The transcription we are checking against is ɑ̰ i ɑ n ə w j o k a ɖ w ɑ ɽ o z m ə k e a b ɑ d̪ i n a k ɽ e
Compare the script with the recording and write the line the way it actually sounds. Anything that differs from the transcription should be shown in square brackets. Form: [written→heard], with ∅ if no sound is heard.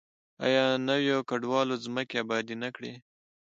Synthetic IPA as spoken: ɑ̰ [i→j] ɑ n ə w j o k a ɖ w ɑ [ɽ→l] o z m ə k e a b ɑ d̪ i n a k ɽ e